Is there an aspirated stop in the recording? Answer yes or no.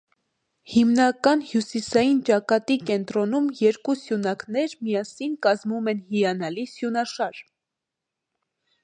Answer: no